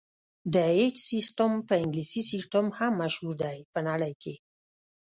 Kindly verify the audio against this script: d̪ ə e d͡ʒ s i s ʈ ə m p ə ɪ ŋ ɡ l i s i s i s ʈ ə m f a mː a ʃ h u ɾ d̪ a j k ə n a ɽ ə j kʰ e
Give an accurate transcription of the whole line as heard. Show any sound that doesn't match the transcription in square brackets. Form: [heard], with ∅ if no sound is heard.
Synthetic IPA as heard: d̪ ə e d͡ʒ s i s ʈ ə m p ə ɪ ŋ ɡ l i s i s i s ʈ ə m [h] a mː a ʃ h u ɾ d̪ a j [p] ə n a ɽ ə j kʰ e